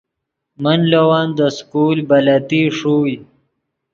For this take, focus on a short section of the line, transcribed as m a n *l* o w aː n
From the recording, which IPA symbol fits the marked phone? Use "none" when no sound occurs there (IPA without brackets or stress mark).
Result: l